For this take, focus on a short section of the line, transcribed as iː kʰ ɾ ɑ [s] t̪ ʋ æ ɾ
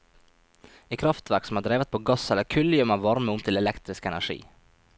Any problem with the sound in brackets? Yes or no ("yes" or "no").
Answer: yes